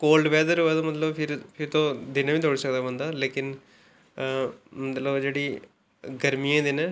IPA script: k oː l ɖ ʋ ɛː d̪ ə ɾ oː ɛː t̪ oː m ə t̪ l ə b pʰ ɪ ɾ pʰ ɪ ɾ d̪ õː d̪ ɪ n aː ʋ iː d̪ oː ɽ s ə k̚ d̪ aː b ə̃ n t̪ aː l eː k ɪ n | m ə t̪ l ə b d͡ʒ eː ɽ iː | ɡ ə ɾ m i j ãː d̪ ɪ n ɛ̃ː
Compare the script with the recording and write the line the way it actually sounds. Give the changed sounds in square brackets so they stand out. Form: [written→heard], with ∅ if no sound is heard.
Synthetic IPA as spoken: k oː l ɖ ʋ ɛː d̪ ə ɾ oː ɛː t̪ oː m ə t̪ l ə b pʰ ɪ ɾ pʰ ɪ ɾ [d̪→t̪] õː d̪ ɪ n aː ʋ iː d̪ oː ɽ s ə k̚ d̪ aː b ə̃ n [t̪→d̪] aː l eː k ɪ n | m ə t̪ l ə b d͡ʒ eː ɽ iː | ɡ ə ɾ m i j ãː d̪ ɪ n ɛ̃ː